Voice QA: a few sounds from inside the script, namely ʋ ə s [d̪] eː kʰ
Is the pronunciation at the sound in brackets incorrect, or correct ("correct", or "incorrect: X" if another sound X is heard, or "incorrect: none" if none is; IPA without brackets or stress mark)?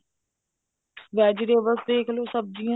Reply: correct